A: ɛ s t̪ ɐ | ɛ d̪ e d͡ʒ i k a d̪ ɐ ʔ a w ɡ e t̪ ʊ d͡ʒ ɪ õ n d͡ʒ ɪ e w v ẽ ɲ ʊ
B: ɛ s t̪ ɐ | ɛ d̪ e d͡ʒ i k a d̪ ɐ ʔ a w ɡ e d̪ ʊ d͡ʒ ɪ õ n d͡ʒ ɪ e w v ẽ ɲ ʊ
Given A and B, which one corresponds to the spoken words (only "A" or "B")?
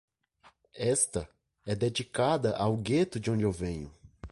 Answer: A